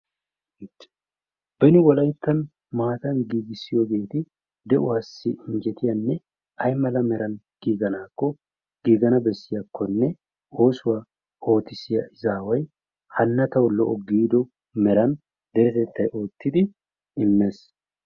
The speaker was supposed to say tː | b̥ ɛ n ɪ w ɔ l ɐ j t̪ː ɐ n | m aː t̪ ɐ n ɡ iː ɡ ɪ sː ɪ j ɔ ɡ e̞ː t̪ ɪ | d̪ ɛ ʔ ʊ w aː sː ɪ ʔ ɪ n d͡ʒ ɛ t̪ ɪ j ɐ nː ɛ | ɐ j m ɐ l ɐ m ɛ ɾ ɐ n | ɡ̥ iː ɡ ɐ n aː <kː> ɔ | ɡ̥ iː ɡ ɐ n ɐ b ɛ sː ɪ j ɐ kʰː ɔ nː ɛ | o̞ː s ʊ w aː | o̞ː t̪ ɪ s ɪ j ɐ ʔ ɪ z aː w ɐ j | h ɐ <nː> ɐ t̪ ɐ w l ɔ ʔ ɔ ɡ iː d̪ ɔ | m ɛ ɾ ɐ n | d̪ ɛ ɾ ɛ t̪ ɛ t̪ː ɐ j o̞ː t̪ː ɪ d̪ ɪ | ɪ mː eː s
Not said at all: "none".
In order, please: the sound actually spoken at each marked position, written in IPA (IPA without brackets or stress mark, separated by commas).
kː, nː